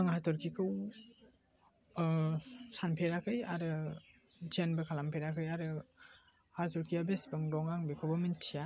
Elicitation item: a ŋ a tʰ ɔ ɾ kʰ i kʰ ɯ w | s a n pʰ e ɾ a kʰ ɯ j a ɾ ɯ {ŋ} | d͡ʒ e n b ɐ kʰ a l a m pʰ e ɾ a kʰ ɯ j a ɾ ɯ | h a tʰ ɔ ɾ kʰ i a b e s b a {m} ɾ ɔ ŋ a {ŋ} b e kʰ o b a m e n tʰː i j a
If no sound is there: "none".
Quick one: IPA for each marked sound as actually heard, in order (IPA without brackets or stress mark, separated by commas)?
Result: none, ŋ, ŋ